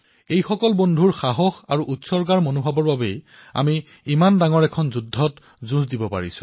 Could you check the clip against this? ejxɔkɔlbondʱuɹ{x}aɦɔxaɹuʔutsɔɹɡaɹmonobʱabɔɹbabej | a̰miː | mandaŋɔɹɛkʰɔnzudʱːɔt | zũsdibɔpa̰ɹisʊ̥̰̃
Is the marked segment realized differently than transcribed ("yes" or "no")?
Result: no